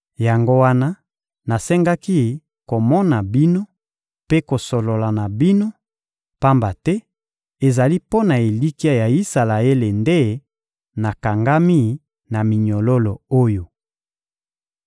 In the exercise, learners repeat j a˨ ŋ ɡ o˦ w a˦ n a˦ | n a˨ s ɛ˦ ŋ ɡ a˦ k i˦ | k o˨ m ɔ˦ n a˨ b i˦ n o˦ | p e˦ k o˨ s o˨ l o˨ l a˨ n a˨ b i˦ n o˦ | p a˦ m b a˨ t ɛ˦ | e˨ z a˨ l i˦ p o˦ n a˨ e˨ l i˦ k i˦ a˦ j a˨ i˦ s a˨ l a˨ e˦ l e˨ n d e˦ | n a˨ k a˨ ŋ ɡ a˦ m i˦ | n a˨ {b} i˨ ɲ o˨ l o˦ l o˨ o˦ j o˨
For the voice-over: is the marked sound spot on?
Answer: no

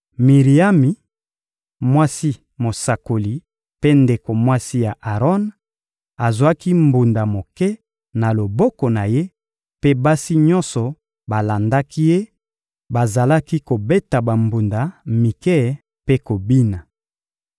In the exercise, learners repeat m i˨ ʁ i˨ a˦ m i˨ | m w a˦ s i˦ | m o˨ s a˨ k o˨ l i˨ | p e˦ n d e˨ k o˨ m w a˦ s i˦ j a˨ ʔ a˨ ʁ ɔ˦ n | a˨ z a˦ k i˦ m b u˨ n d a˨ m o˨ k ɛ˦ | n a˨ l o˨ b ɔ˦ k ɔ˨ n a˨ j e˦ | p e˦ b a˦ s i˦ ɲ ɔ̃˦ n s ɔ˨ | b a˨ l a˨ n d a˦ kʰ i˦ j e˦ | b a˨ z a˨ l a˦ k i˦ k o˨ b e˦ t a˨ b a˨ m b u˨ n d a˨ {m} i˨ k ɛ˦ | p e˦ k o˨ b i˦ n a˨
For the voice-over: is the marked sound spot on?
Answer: yes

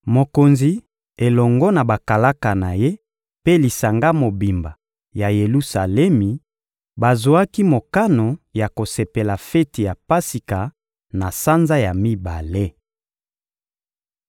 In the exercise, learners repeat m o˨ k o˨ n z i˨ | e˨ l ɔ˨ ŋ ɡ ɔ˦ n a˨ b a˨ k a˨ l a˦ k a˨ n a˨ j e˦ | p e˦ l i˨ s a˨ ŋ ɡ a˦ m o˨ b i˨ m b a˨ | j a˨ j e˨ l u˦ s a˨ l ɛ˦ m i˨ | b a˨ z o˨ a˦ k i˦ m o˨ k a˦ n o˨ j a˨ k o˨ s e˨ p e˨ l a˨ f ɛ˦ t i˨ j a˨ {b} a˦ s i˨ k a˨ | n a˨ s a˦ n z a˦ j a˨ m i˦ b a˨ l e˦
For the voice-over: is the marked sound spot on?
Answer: no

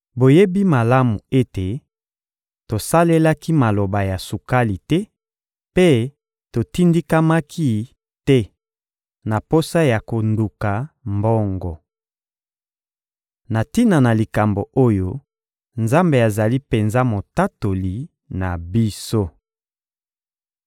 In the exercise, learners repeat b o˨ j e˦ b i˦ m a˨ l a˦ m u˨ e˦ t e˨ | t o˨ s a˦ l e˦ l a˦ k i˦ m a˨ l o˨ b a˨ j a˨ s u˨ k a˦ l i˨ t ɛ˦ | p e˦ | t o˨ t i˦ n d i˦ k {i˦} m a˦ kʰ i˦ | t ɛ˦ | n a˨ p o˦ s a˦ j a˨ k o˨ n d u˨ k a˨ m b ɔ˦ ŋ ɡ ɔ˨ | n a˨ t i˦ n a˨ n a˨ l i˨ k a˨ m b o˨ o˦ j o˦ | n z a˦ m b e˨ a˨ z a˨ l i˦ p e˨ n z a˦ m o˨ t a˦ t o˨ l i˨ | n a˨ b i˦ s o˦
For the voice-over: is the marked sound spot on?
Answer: no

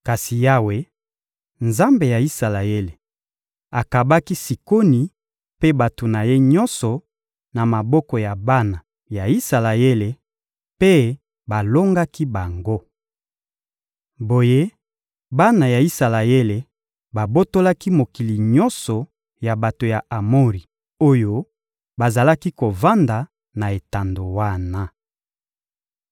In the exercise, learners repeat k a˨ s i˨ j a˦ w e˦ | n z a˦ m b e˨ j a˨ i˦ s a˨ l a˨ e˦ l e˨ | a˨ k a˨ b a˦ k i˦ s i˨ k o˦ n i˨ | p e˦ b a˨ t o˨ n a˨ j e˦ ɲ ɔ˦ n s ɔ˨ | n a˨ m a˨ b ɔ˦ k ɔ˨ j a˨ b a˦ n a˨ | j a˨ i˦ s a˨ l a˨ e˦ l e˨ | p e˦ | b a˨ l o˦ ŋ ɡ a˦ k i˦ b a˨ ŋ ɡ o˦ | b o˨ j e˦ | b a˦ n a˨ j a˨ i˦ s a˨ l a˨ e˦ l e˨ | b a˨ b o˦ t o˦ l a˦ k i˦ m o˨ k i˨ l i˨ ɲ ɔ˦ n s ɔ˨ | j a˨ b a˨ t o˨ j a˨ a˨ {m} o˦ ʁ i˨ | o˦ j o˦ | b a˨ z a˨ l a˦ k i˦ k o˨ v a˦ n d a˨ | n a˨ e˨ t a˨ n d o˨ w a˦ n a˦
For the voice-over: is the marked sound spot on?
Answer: yes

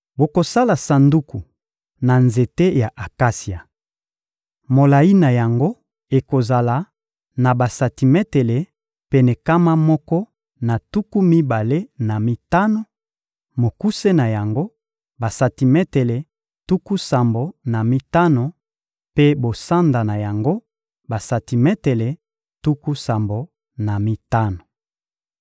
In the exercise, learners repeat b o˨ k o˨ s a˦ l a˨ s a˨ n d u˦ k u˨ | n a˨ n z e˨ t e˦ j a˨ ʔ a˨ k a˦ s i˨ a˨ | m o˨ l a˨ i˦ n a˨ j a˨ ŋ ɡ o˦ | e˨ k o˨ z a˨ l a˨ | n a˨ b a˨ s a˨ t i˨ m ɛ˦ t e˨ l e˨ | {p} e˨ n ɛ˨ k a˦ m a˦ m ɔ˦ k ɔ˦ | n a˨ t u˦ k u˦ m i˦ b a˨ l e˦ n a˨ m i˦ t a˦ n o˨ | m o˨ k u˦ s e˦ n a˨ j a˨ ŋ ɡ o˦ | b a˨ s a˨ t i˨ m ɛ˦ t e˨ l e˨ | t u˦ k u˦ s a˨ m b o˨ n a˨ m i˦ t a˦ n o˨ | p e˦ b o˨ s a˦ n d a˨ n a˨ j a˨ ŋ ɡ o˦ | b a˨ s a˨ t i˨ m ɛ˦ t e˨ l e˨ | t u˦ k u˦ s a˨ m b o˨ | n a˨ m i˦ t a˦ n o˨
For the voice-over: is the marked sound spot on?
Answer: yes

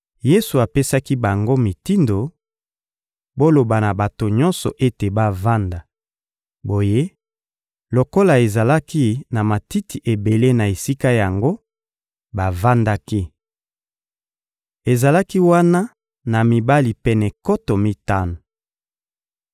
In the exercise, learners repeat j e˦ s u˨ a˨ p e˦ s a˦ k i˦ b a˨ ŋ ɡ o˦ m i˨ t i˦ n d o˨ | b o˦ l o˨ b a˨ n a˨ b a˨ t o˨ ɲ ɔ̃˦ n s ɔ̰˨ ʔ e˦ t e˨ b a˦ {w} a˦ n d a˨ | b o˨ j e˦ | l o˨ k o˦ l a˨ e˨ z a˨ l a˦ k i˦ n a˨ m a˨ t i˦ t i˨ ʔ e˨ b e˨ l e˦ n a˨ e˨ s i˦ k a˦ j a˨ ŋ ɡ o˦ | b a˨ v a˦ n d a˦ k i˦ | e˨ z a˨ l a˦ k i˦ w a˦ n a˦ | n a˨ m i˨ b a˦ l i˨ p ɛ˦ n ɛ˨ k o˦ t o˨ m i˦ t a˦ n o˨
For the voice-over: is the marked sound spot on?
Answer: no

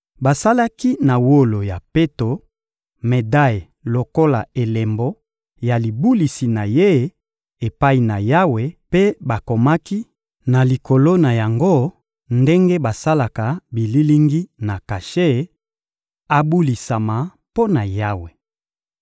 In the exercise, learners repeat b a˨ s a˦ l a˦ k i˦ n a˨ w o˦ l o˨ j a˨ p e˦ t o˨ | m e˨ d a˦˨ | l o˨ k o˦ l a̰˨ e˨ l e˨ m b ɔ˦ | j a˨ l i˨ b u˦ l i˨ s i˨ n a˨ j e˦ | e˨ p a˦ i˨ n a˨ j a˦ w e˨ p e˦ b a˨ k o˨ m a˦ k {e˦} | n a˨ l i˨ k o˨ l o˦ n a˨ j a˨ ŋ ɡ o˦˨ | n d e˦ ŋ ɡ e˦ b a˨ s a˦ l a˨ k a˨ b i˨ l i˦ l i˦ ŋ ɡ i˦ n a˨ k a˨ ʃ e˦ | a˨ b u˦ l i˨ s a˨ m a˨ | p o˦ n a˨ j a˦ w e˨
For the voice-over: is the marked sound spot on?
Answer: no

